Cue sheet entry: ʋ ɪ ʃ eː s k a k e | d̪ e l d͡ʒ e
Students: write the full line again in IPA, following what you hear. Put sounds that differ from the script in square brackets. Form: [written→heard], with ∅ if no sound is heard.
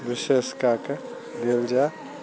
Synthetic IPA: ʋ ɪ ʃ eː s k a k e | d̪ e l d͡ʒ [e→a]

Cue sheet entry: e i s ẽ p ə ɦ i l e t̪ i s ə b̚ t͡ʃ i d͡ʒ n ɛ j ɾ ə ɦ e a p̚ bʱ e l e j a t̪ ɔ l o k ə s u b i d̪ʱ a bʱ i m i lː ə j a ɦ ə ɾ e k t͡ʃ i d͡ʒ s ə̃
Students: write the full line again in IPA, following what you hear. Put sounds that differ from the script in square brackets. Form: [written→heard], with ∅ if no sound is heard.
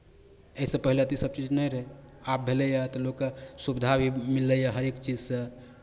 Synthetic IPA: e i s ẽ p ə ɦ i l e t̪ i s ə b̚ t͡ʃ i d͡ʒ n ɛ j ɾ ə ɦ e a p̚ bʱ e l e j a t̪ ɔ l o k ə s u b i d̪ʱ a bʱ i m i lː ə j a ɦ ə ɾ e k t͡ʃ i d͡ʒ s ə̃

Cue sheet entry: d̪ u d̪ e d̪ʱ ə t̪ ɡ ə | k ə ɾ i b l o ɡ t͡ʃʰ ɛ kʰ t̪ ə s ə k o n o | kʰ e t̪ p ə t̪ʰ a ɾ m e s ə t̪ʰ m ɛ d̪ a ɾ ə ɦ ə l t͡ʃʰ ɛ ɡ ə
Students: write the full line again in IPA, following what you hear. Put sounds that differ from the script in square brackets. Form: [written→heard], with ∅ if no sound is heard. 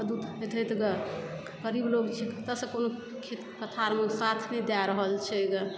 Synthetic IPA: d̪ u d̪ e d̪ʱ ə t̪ ɡ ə | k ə ɾ i b l o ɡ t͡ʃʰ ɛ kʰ t̪ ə s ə k o n o | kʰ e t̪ [p→k] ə t̪ʰ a ɾ m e s [ə→a] t̪ʰ [m→n] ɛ d̪ a ɾ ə ɦ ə l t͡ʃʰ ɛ ɡ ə

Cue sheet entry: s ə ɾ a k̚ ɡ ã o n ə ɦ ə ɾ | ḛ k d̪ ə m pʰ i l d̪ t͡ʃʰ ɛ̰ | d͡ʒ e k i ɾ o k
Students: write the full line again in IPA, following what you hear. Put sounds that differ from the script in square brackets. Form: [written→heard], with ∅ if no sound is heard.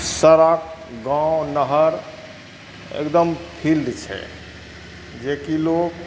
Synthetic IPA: s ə ɾ a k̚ ɡ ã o n ə ɦ ə ɾ | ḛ k d̪ ə m pʰ i l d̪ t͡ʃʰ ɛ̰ | d͡ʒ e k i [ɾ→l] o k

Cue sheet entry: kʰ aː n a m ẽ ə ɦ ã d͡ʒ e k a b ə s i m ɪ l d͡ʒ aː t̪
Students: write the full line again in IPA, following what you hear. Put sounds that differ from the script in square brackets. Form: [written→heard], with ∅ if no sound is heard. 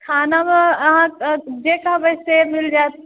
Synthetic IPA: kʰ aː n a m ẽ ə ɦ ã d͡ʒ e k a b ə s [i→e] m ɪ l d͡ʒ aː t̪

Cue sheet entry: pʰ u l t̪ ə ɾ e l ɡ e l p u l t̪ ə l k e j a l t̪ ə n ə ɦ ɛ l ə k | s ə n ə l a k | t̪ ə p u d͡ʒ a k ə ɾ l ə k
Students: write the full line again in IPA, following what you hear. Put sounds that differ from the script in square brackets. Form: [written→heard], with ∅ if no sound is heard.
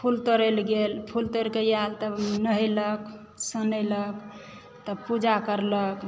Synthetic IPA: pʰ u l t̪ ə ɾ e l ɡ e l [p→pʰ] u l t̪ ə [l→ɾ] k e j a l t̪ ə n ə ɦ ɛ l ə k | s ə n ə l [a→ə] k | t̪ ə p u d͡ʒ a k ə ɾ l ə k

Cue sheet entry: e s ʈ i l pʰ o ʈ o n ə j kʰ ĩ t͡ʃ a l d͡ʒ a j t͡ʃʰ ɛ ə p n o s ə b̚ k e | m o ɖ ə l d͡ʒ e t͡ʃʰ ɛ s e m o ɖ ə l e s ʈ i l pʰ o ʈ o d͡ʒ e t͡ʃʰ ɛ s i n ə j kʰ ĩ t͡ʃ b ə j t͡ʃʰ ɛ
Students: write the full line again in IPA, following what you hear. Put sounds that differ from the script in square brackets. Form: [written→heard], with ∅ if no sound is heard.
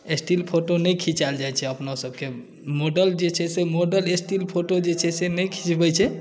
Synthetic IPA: e s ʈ i l pʰ o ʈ o n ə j kʰ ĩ t͡ʃ a l d͡ʒ a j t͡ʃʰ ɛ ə p n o s ə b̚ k e | m o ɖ ə l d͡ʒ e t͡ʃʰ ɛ s e m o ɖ ə l e s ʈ i l pʰ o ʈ o d͡ʒ e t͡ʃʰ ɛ s [i→e] n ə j kʰ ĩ t͡ʃ b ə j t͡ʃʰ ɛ

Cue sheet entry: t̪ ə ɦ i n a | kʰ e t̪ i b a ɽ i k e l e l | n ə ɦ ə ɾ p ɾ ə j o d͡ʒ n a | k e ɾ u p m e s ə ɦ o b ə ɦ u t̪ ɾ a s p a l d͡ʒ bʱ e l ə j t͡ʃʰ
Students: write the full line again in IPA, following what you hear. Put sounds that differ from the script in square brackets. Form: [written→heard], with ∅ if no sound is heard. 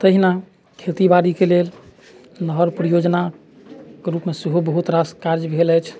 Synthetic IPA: t̪ ə ɦ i n a | kʰ e t̪ i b a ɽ i k e l e l | n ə ɦ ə ɾ p ɾ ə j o d͡ʒ n a | k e ɾ u p m e s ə ɦ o b ə ɦ u t̪ ɾ a s [p→k] a [l→ɾ] d͡ʒ bʱ e l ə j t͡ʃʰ

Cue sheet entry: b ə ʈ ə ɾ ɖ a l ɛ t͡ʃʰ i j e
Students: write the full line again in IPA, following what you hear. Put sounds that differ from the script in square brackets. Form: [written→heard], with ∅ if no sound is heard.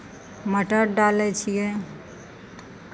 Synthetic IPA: [b→m] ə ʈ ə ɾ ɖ a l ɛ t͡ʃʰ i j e

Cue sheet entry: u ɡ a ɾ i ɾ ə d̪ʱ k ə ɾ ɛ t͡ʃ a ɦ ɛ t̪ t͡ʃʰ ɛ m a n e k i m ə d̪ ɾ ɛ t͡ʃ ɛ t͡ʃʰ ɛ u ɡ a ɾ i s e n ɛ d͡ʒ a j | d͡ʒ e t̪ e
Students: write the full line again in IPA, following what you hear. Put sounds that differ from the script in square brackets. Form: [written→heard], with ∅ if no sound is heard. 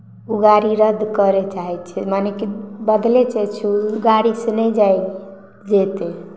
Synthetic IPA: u ɡ a ɾ i ɾ ə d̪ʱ k ə ɾ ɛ t͡ʃ a ɦ ɛ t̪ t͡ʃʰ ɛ m a n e k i [m→b] ə d̪ [ɾ→l] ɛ t͡ʃ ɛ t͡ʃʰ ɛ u ɡ a ɾ i s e n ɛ d͡ʒ a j | d͡ʒ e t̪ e

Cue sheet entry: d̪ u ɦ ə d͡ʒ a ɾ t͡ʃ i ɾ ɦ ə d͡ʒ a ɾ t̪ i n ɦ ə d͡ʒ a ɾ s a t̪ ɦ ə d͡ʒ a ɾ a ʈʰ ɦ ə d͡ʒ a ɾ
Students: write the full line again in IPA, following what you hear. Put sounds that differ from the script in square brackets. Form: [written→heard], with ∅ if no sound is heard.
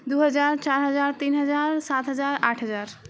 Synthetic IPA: d̪ u ɦ ə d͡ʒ a ɾ t͡ʃ [i→a] ɾ ɦ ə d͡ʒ a ɾ t̪ i n ɦ ə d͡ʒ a ɾ s a t̪ ɦ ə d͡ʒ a ɾ a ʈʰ ɦ ə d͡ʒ a ɾ

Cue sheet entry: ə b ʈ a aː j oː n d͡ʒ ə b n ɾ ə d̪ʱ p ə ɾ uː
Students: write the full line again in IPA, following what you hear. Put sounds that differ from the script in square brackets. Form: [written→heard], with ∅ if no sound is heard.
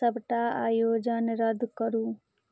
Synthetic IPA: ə b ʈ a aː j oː [n→∅] d͡ʒ ə [b→∅] n ɾ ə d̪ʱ [p→k] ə ɾ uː

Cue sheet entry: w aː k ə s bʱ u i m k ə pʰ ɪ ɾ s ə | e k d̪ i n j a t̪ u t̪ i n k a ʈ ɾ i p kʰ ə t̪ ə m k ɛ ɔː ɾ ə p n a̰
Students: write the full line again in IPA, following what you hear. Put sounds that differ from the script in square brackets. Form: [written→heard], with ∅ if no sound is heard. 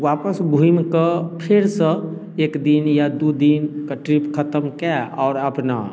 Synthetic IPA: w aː [k→p] ə s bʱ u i m k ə pʰ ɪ ɾ s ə | e k d̪ i n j a [t̪→d̪] u [t̪→d̪] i n k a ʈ ɾ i p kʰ ə t̪ ə m k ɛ ɔː ɾ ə p n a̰

